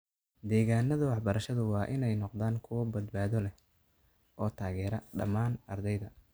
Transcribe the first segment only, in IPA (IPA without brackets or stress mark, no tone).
d̪